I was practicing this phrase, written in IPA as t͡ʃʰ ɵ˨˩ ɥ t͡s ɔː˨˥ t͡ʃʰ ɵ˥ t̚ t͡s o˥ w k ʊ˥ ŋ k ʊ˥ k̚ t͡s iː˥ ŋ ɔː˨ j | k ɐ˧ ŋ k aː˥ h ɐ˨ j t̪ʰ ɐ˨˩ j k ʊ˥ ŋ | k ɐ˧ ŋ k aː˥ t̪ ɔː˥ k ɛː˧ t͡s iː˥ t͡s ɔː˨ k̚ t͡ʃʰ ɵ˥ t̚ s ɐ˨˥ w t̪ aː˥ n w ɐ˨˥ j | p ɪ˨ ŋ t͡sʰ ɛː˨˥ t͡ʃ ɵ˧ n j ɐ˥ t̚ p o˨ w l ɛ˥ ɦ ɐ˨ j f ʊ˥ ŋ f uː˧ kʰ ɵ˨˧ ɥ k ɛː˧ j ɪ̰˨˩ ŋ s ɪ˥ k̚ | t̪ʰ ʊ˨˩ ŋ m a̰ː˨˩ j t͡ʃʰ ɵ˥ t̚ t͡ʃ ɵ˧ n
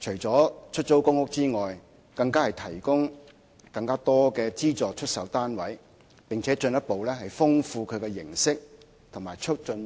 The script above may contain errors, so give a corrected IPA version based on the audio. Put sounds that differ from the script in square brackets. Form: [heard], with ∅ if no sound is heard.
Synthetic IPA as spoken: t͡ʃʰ ɵ˨˩ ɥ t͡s ɔː˨˥ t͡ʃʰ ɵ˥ t̚ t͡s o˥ w k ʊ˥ ŋ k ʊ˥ k̚ t͡s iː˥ ŋ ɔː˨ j | k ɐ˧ ŋ k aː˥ h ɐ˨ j t̪ʰ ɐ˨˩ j k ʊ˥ ŋ | k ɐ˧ ŋ k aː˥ t̪ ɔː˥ k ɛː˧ t͡s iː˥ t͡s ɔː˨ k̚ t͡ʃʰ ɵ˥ t̚ s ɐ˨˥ w t̪ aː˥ n w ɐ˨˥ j | p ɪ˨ ŋ t͡sʰ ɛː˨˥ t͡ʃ ɵ˧ n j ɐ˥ t̚ p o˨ w l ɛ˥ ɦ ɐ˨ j f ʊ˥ ŋ f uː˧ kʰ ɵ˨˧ ɥ k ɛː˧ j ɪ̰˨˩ ŋ s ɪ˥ k̚ | t̪ʰ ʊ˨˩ ŋ m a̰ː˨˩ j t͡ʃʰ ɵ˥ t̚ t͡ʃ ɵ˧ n